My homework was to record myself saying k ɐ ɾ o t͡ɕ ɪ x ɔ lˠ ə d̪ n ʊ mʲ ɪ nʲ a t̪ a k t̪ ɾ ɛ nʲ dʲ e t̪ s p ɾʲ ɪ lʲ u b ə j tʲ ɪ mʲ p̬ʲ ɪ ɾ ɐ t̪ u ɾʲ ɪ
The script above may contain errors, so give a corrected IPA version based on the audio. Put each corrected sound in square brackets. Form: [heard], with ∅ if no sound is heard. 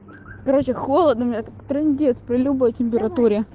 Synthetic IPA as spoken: k ɐ ɾ o t͡ɕ ɪ x [o] lˠ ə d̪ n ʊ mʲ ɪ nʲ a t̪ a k t̪ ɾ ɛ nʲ dʲ e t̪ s p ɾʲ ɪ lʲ u b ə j tʲ ɪ mʲ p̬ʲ ɪ ɾ ɐ t̪ u ɾʲ ɪ